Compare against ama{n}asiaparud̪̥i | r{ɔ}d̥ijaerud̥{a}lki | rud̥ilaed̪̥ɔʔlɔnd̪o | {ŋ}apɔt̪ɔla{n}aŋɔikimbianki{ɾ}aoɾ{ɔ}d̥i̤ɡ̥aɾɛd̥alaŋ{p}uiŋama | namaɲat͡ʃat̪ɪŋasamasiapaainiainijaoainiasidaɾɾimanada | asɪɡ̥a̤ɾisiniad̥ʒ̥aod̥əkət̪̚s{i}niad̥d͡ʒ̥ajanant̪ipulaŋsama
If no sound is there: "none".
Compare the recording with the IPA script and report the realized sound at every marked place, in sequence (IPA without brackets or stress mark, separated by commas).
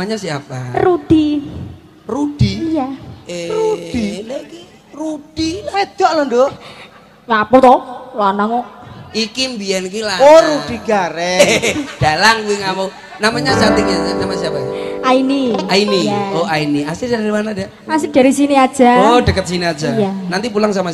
ɲ, u, i, ŋ, n, l, u, k, i